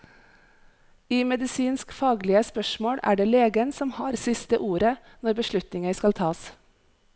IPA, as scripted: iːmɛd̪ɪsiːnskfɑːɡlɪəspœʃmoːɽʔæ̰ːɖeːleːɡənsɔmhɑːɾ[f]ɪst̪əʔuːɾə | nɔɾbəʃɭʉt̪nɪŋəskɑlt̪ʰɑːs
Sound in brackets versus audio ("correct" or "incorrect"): incorrect